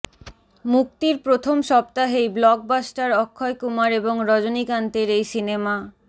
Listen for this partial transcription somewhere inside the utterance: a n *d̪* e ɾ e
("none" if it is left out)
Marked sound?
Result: t̪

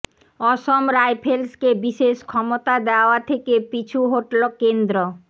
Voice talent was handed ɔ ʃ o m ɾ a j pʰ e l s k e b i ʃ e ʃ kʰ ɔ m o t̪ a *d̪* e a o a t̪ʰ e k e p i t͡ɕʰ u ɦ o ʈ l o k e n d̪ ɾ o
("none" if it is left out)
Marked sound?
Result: d̪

